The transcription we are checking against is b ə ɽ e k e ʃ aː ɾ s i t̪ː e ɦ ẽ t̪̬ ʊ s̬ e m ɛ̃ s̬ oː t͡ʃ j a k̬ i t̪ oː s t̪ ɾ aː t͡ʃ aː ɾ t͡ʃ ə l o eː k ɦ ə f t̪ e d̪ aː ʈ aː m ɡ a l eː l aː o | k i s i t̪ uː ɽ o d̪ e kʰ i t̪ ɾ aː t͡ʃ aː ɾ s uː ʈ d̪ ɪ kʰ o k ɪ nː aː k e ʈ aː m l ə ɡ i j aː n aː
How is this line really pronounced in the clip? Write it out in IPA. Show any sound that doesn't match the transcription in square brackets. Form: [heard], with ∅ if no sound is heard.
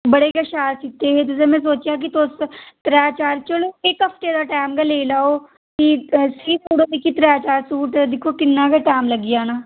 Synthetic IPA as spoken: b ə ɽ e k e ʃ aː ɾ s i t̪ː e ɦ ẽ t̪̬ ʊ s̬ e m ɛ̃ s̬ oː t͡ʃ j a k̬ i t̪ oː s t̪ ɾ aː t͡ʃ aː ɾ t͡ʃ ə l o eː k ɦ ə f t̪ e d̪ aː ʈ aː m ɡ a l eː l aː o | k i s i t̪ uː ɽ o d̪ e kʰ i t̪ ɾ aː t͡ʃ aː ɾ s uː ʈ d̪ ɪ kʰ o k ɪ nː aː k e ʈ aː m l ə ɡ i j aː n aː